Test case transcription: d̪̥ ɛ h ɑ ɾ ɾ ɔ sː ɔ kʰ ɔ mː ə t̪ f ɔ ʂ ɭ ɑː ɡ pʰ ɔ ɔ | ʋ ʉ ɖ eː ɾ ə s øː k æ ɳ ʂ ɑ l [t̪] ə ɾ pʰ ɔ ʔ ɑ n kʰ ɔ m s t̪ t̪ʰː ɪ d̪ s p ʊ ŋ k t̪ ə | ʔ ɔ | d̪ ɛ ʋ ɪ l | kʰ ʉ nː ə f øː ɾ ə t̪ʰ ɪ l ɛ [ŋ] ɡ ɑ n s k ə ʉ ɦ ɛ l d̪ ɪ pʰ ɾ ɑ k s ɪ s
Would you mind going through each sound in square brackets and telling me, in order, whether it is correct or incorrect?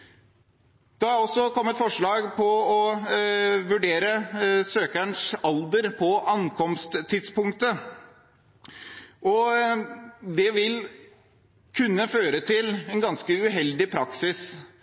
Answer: incorrect: d̪, incorrect: n

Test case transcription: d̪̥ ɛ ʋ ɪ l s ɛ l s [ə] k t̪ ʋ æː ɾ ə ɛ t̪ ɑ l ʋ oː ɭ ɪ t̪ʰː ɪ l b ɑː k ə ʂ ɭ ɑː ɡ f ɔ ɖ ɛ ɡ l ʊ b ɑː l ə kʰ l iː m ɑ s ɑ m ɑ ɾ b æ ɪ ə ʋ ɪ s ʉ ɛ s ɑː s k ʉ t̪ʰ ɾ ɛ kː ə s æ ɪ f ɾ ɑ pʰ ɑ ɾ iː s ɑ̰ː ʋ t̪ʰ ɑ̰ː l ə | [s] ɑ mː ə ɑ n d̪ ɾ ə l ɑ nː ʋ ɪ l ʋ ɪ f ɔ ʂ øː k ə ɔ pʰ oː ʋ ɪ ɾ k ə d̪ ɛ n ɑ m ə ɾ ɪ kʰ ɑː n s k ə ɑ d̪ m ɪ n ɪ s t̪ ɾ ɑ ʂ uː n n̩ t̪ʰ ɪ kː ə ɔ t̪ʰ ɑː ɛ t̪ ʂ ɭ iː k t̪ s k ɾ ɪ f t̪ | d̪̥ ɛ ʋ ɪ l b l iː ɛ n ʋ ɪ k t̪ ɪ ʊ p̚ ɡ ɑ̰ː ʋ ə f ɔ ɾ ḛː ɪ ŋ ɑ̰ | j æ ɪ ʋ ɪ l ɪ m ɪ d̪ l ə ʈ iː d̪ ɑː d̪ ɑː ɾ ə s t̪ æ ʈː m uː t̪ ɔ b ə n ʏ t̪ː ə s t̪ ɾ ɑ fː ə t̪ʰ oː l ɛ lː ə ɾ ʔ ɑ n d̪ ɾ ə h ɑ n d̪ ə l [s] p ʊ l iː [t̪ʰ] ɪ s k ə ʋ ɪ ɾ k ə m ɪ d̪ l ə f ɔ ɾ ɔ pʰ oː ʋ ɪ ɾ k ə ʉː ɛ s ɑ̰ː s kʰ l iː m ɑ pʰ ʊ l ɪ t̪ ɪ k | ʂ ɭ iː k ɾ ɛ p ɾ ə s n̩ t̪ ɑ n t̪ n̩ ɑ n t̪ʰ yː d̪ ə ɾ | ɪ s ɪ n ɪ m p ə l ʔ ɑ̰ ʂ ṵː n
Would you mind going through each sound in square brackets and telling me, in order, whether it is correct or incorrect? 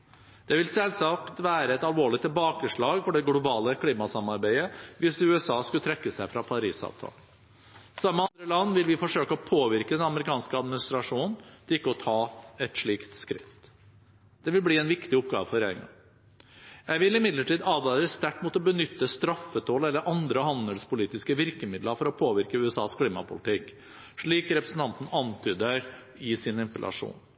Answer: incorrect: ɑ, correct, correct, incorrect: t̪

